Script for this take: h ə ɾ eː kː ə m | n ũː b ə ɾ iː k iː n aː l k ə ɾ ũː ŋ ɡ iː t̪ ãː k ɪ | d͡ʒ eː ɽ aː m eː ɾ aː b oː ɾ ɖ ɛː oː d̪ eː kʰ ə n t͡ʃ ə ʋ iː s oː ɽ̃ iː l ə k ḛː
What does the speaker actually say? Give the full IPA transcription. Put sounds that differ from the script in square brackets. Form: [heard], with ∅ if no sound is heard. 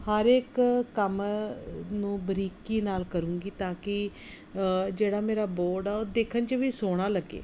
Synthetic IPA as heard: h ə ɾ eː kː ə m | n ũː b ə ɾ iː k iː n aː l k ə ɾ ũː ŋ ɡ iː t̪ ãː k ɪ | d͡ʒ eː ɽ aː m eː ɾ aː b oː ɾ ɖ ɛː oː d̪ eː kʰ ə n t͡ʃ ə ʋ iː s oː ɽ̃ [aː] l ə [ɡ] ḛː